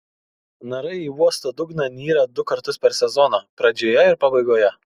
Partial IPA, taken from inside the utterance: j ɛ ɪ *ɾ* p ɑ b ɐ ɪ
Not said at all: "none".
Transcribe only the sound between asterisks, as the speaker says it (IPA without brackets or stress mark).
ɾ